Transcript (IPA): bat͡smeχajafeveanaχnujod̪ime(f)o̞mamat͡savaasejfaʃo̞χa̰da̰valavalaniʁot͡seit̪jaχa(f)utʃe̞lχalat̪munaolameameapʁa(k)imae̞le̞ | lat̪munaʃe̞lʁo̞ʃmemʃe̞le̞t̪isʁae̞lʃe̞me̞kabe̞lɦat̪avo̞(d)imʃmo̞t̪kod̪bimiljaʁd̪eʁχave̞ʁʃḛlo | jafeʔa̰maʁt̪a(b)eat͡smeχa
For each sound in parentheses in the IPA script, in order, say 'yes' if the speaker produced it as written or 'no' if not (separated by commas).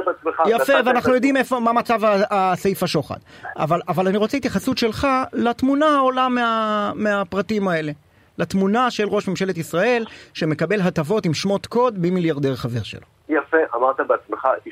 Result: yes, no, no, no, yes